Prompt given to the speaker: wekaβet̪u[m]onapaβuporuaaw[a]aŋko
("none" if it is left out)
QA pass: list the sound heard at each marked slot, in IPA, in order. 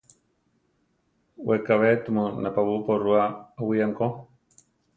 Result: m, i

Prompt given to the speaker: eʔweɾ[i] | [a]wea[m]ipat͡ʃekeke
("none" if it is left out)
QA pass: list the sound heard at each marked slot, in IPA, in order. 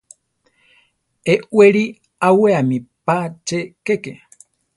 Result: i, a, m

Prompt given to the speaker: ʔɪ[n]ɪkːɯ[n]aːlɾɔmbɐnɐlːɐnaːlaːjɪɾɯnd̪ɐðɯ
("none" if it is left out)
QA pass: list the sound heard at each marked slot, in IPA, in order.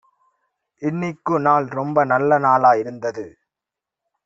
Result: nː, n

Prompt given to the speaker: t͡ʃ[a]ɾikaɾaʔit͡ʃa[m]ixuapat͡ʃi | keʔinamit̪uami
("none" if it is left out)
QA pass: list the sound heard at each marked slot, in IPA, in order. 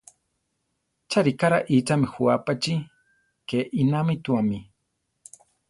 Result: a, m

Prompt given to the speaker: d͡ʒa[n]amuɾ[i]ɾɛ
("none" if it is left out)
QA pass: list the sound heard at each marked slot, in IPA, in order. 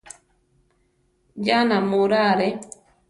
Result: n, a

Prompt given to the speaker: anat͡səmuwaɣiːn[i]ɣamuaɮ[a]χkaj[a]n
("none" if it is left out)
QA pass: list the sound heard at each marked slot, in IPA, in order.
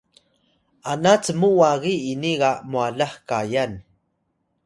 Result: i, a, a

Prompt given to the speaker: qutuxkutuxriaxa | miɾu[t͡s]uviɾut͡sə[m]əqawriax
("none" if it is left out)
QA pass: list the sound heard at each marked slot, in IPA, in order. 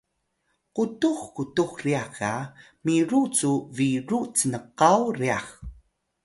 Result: t͡s, n

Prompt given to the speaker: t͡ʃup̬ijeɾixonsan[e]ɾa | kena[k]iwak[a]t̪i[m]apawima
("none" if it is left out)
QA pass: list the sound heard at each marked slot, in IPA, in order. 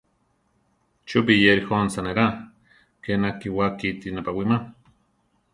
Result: e, k, i, n

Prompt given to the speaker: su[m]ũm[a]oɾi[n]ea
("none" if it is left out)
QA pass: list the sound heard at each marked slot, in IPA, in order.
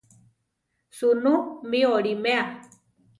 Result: n, i, m

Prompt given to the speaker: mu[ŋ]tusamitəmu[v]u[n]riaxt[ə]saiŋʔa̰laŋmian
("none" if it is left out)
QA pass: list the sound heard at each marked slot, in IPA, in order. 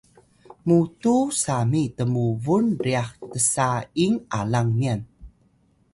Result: none, v, n, ə

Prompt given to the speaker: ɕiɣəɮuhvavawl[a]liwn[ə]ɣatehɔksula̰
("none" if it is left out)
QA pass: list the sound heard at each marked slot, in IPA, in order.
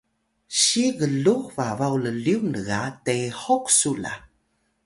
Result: ə, ə

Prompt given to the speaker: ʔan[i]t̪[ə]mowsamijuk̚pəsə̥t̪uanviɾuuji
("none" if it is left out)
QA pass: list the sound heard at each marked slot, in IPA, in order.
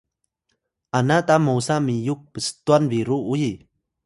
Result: a, a

